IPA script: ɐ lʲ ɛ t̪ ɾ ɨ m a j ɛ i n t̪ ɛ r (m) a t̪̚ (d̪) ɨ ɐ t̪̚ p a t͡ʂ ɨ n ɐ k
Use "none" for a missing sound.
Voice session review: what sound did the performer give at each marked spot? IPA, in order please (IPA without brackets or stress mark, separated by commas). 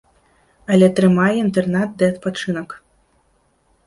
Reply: n, d̪